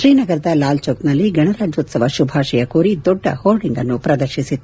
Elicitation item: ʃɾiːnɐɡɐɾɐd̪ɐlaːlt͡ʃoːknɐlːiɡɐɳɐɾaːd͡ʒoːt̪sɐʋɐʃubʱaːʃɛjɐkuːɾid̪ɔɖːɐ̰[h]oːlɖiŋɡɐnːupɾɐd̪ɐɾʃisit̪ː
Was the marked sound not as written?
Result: no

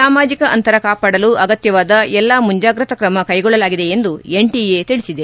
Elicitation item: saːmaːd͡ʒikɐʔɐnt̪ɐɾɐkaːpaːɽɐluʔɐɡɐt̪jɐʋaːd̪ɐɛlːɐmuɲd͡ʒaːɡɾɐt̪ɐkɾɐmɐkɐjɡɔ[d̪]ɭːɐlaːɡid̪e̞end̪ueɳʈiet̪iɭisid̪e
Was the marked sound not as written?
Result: yes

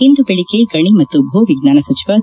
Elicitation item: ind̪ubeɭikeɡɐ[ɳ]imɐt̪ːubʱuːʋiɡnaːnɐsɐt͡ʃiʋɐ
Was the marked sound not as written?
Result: no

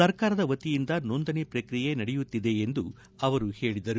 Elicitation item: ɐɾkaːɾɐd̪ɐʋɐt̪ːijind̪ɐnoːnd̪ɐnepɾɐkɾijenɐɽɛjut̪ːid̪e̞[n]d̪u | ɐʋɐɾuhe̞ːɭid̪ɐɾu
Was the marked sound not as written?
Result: no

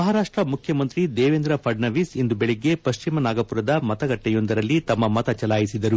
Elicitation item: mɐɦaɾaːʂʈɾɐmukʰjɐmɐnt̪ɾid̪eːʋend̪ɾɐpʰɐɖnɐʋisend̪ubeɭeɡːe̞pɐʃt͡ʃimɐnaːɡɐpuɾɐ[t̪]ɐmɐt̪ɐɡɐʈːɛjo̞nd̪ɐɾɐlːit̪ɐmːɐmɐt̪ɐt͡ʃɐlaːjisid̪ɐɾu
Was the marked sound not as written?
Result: yes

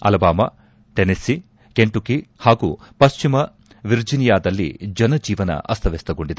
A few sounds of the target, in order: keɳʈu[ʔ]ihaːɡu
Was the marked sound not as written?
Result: yes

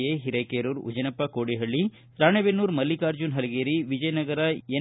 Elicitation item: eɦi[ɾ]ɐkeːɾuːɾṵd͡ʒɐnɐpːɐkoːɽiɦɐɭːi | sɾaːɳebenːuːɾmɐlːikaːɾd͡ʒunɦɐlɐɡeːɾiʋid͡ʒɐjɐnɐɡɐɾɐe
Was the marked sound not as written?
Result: no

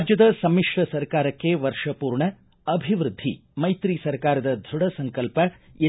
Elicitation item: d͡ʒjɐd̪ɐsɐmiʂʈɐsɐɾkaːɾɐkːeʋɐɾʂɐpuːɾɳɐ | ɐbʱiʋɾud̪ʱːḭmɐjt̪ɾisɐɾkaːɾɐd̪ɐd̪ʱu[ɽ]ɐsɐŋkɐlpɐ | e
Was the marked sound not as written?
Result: no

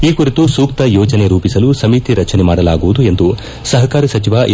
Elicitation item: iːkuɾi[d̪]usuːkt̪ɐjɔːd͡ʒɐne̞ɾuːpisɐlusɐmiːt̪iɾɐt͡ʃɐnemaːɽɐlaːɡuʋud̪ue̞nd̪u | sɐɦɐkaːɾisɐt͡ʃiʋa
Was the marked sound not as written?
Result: yes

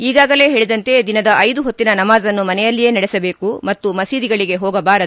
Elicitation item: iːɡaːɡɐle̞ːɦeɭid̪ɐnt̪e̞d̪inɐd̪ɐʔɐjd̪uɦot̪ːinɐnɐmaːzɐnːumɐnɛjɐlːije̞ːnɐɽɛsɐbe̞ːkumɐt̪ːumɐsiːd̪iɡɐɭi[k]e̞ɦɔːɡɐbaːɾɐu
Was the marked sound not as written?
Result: yes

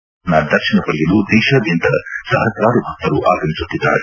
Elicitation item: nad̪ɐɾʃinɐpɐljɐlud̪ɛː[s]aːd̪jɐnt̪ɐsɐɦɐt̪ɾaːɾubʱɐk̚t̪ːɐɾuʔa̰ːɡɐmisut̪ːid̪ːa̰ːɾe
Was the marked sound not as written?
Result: yes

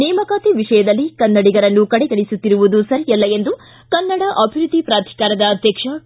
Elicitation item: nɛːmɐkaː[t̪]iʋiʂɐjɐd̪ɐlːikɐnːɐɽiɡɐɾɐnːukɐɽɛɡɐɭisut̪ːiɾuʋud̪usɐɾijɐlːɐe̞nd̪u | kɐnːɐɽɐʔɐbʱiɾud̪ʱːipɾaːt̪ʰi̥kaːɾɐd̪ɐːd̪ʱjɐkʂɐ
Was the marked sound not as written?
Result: no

